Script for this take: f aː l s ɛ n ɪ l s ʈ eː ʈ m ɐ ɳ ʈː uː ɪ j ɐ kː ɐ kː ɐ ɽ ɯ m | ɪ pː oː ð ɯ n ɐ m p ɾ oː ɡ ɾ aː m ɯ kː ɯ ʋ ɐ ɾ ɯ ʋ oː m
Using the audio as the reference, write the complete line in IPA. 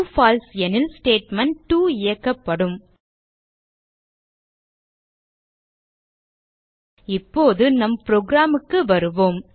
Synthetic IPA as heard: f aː l s ɛ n ɪ l s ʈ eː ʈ m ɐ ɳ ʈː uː ɪ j ɐ kː ɐ pː ɐ ɽ ɯ m | ɪ pː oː ð ɯ n ɐ m p ɾ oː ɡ ɾ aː m ɯ kː ɯ ʋ ɐ ɾ ɯ ʋ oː m